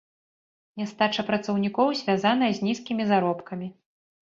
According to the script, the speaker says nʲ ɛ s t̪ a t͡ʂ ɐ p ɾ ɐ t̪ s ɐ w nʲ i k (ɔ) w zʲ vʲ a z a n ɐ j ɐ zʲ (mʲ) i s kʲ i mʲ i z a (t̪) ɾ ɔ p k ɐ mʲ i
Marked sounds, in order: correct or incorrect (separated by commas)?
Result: correct, incorrect, incorrect